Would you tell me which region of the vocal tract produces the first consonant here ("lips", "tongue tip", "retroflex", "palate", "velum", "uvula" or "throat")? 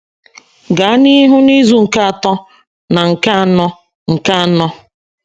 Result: velum